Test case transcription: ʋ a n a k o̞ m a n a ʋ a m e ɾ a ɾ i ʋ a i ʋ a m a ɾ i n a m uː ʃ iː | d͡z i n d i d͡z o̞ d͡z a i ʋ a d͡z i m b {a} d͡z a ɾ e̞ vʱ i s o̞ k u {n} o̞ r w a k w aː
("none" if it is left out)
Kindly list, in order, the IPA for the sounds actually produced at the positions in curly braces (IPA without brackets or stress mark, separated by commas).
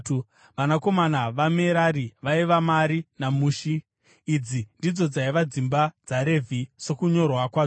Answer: a, ɲ